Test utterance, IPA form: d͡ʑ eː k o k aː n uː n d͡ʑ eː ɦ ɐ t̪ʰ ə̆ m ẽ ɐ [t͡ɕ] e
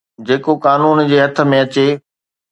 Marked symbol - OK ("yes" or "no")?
yes